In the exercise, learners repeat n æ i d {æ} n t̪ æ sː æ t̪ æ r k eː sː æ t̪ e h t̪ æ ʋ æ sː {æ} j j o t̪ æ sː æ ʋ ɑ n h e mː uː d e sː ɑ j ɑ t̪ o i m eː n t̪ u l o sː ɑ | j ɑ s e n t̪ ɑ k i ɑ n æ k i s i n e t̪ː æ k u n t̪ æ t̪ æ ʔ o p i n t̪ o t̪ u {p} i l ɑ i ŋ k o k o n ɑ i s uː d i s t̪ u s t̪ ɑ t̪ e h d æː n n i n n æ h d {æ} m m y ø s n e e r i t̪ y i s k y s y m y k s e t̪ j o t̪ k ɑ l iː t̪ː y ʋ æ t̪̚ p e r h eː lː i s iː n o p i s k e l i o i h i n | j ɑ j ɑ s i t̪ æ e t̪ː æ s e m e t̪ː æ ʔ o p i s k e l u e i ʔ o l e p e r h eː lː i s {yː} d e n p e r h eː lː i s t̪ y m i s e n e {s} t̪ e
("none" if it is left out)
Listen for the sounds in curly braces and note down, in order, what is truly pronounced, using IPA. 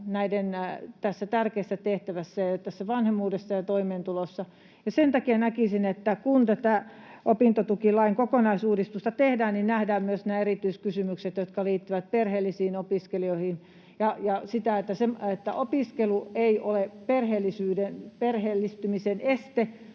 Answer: e, æ, k, æː, yː, s

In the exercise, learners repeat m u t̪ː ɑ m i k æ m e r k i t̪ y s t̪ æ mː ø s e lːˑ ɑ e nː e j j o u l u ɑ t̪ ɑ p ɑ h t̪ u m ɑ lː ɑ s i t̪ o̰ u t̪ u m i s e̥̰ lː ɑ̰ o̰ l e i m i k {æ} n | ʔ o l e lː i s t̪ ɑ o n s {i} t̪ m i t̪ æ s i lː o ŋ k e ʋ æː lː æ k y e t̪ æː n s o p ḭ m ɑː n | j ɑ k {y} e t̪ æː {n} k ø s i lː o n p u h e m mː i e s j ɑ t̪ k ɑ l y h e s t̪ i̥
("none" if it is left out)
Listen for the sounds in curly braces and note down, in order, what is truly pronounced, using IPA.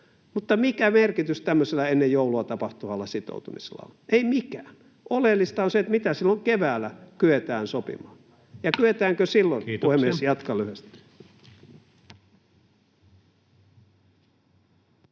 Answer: æː, e, y, ŋ

